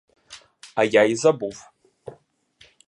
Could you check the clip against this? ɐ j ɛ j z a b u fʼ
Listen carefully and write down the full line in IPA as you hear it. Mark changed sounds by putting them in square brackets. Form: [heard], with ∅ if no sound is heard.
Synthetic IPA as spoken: [a] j [a] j z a b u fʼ